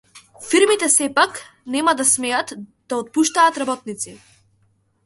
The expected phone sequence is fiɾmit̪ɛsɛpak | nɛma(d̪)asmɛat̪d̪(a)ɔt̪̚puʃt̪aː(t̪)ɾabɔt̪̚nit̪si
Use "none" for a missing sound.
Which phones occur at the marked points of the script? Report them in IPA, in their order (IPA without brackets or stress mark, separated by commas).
d̪, a, t̪